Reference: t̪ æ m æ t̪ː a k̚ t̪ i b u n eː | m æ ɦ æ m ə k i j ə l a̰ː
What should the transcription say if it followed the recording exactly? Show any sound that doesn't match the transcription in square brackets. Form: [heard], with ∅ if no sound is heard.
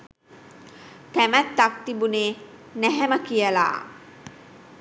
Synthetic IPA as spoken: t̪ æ m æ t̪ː a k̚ t̪ i b u n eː | [n] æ ɦ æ m ə k i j ə l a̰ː